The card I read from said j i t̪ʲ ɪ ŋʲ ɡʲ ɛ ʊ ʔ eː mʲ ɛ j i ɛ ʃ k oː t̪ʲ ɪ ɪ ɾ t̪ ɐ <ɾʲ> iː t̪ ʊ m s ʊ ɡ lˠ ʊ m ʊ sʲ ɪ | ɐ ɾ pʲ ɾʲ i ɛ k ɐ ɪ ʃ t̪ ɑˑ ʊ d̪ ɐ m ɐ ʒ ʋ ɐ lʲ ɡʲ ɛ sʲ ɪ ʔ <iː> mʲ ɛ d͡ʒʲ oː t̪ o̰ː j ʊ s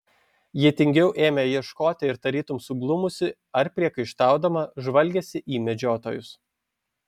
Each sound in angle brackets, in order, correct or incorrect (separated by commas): correct, correct